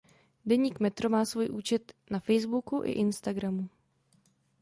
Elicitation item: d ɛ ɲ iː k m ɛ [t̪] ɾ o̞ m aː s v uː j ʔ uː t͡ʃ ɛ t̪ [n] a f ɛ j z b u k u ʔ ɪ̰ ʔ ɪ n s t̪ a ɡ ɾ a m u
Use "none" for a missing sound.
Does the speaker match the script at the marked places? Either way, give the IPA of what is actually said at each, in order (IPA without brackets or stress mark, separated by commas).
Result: t̪, n